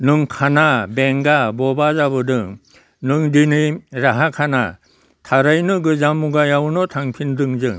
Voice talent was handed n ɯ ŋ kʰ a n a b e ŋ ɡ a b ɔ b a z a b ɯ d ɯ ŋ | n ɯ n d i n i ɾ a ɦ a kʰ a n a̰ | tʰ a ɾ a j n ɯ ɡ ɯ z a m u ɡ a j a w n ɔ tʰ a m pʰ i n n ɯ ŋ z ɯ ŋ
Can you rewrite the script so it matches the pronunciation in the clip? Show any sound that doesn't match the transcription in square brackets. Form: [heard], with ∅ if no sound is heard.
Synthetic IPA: n ɯ ŋ kʰ a n a b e ŋ ɡ a b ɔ b a z a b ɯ d ɯ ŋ | n ɯ [ŋ] d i n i ɾ a ɦ a kʰ a n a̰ | tʰ a ɾ a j n ɯ ɡ ɯ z a m u ɡ a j a w n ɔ tʰ a [ŋ] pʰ i n [d] ɯ ŋ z ɯ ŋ